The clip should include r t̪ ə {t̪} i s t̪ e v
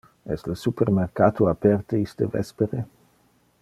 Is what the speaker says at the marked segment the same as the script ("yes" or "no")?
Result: no